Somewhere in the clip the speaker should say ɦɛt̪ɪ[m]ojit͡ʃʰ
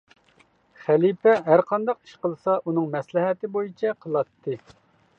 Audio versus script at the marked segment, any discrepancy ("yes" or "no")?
yes